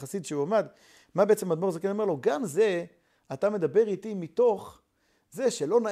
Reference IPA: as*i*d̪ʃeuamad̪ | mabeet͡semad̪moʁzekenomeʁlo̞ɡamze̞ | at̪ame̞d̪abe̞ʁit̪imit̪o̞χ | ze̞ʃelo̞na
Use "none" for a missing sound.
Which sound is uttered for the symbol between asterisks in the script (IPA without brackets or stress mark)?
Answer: i